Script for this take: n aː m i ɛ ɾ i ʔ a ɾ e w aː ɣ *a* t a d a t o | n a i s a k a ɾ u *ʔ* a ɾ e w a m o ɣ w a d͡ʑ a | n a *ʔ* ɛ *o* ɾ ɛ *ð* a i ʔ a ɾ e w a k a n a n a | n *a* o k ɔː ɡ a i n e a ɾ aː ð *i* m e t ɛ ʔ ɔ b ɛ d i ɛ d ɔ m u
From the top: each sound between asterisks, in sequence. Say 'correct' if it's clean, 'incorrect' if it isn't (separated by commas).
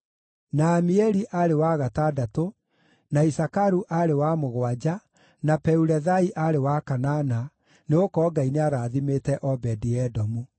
correct, correct, incorrect, incorrect, correct, incorrect, correct